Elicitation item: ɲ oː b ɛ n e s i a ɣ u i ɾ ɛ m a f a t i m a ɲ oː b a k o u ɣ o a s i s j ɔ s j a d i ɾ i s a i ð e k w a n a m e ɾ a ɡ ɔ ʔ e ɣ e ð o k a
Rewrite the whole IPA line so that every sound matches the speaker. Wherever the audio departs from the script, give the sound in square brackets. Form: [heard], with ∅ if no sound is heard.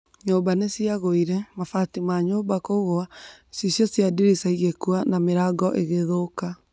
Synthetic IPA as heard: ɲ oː b [a] n e s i a ɣ [o] i ɾ ɛ m a f a t i m a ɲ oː b a k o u ɣ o a s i s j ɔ s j a d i ɾ i s a i [ɣ] e k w a n a m e ɾ a ɡ ɔ ʔ e ɣ e ð o k a